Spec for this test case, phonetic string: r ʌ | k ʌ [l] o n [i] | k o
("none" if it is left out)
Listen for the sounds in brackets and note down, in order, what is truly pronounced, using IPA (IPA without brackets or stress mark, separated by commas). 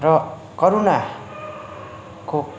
ɾ, a